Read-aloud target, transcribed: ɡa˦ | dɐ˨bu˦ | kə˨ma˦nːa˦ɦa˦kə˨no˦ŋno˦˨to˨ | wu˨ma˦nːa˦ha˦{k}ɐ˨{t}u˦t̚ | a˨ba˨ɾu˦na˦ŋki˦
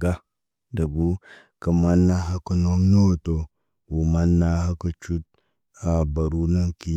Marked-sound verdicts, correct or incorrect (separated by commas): correct, incorrect